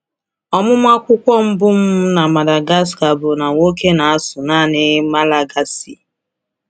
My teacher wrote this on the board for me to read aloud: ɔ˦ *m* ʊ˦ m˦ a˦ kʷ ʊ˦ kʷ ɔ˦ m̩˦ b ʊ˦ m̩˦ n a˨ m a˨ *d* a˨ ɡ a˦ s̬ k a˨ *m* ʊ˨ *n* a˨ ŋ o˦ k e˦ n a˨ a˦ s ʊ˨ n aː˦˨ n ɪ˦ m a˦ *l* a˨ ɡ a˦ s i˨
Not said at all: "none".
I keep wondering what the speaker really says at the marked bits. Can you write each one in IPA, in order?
m, d, b, n, l

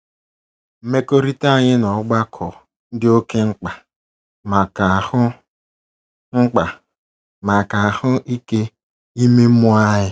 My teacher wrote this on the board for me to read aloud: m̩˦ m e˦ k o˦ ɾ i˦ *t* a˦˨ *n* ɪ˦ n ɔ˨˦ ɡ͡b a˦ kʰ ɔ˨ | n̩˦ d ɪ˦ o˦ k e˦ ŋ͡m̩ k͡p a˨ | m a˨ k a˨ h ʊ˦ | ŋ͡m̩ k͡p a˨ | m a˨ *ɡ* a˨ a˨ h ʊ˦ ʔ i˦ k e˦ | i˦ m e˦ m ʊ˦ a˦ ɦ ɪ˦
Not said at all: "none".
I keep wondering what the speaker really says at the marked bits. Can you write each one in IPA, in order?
t, ɲ, k

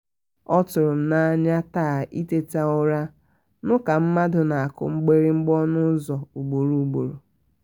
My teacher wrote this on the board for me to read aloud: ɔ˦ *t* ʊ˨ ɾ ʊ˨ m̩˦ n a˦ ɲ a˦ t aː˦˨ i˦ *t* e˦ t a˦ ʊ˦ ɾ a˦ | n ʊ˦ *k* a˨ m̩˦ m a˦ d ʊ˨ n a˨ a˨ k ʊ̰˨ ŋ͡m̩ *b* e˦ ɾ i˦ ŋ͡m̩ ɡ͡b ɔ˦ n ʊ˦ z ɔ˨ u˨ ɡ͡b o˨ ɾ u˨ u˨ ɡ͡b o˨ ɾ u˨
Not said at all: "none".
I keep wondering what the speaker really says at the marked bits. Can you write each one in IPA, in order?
t, t, k, ɡ͡b

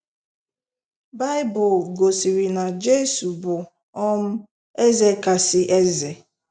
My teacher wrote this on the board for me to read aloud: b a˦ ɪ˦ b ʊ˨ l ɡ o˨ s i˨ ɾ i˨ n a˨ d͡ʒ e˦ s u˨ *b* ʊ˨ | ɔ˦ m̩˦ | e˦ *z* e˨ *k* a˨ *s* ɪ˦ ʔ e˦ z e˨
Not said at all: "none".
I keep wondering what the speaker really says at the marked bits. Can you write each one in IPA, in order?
b, z, k, s

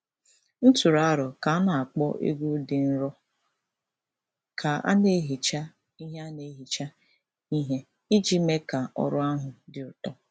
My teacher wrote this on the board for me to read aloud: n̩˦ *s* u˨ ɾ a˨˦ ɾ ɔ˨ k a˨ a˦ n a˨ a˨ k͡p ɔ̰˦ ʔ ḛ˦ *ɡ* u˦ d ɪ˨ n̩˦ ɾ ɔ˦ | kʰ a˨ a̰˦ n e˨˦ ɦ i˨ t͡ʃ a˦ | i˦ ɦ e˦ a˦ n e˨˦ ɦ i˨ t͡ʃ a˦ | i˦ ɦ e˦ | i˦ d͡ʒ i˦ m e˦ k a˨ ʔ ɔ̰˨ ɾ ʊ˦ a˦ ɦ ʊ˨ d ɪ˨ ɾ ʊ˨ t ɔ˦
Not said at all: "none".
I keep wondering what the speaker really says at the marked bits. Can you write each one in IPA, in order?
t, ɡ

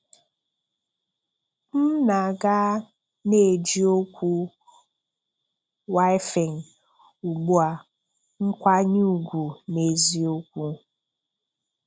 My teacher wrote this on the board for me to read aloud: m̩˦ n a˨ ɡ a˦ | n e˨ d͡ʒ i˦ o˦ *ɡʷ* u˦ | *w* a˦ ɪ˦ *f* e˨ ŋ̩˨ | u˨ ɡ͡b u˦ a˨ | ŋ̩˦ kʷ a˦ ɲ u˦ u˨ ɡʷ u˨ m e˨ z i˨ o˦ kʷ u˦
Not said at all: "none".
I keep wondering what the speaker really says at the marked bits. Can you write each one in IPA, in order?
kʷ, w, f

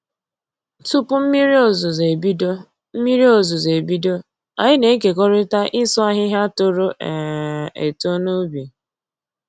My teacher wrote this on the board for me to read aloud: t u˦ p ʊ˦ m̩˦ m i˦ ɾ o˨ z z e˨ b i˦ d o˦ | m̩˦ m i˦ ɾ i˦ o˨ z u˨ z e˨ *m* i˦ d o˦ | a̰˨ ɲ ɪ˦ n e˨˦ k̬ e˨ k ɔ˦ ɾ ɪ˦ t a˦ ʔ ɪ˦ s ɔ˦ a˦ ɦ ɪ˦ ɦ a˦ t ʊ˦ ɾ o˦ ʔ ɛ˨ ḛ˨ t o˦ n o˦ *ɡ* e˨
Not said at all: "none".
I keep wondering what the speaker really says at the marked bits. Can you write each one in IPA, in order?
b, b

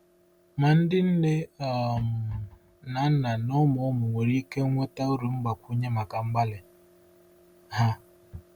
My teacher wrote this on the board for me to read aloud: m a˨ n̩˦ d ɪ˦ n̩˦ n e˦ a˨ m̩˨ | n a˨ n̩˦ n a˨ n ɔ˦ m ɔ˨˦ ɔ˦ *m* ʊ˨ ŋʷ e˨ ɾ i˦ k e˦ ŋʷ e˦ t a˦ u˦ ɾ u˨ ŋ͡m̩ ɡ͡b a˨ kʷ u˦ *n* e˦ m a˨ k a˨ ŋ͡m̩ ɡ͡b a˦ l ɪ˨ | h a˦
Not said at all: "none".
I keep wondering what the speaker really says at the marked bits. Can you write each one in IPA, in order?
m, ɲ

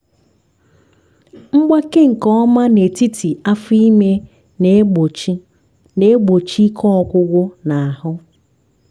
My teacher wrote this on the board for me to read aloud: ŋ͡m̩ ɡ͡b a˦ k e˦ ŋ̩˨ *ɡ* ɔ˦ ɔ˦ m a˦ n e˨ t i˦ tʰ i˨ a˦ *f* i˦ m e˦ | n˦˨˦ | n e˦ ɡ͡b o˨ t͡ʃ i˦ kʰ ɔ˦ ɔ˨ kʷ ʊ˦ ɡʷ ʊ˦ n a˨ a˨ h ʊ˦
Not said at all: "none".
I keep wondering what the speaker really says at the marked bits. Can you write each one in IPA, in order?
k, f

